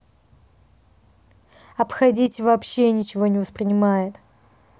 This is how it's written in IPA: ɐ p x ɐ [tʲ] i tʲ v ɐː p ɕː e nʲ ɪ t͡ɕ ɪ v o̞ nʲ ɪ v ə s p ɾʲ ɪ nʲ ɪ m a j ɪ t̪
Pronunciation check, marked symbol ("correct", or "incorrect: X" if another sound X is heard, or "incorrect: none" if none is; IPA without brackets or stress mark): incorrect: dʲ